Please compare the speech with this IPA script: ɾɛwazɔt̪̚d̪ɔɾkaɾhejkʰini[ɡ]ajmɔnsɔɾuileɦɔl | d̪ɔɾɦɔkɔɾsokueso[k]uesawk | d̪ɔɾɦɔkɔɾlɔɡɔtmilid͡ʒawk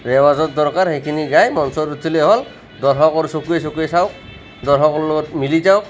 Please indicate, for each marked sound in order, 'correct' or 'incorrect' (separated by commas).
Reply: correct, correct